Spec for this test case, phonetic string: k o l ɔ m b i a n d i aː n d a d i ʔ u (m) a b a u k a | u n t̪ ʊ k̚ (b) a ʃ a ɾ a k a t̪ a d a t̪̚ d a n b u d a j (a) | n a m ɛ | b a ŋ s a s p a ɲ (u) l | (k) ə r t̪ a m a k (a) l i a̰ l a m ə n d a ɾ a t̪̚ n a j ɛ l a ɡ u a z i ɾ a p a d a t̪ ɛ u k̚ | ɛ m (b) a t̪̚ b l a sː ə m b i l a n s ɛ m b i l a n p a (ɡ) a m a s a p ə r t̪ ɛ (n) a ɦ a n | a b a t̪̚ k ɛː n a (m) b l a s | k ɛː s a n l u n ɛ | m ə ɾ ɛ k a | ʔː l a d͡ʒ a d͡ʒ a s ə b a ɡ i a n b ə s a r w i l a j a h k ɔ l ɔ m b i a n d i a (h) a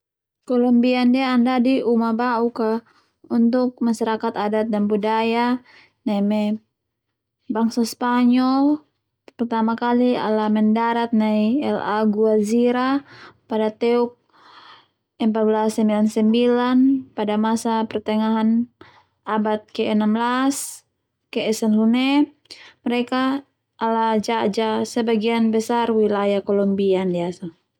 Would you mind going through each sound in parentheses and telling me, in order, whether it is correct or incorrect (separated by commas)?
correct, incorrect, correct, incorrect, incorrect, correct, incorrect, incorrect, incorrect, correct, incorrect